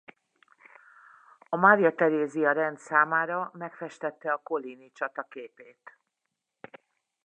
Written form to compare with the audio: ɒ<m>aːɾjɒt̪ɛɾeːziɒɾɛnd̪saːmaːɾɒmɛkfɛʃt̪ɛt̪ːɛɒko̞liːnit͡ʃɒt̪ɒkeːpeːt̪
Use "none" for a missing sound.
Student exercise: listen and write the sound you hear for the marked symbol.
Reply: m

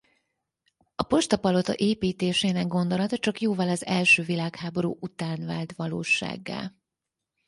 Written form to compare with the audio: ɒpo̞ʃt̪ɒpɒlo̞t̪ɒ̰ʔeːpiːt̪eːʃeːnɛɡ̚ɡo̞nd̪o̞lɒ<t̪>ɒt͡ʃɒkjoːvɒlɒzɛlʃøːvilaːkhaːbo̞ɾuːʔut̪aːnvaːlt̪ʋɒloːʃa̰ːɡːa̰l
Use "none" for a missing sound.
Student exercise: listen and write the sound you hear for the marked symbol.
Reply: t̪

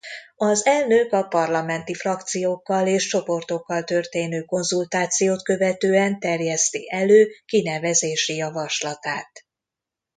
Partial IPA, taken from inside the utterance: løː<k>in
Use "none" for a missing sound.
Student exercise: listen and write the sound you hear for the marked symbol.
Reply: k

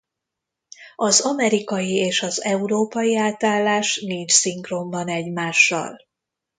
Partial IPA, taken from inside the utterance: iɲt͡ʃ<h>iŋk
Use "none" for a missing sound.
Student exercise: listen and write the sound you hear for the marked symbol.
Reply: s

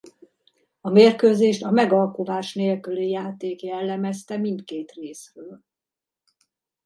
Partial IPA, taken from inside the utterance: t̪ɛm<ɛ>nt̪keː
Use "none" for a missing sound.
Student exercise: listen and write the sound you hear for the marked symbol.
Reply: i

